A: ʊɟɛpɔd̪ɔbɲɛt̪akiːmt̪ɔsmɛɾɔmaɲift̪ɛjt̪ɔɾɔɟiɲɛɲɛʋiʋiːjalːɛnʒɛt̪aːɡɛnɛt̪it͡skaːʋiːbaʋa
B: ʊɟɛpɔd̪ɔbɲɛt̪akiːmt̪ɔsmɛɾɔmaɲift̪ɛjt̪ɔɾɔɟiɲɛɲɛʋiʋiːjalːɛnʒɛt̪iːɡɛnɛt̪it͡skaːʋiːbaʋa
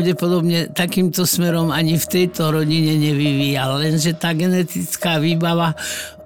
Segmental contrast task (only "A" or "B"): A